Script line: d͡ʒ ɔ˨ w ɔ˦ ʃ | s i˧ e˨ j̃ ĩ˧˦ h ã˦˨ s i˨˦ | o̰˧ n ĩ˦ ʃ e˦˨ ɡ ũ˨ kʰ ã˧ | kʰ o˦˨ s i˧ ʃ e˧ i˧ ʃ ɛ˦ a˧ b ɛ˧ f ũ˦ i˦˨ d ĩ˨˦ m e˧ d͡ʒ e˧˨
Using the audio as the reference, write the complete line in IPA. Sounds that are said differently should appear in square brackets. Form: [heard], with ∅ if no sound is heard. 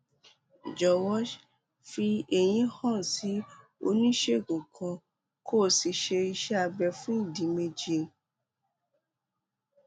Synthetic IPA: d͡ʒ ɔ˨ w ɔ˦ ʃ | [f] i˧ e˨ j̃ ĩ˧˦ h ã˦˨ s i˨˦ | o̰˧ n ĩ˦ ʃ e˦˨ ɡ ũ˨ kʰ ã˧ | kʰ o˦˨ s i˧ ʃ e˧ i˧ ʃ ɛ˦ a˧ b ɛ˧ f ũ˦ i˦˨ d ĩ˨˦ m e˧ d͡ʒ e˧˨